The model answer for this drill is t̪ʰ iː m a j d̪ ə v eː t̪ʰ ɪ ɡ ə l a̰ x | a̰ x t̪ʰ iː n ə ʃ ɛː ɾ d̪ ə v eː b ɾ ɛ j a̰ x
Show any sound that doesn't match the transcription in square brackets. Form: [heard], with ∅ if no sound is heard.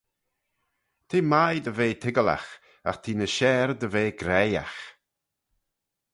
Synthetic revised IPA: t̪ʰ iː m a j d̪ ə v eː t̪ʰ ɪ ɡ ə l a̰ x | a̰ x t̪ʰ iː n ə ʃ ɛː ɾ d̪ ə v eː [ɡ] ɾ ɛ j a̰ x